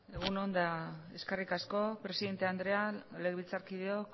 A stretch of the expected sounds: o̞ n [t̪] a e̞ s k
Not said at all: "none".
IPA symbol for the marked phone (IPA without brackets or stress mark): d̪